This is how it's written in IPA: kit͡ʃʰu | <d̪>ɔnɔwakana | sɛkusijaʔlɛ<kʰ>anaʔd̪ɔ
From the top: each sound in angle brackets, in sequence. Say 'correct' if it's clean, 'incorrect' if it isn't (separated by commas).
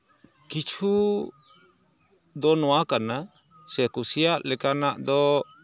correct, incorrect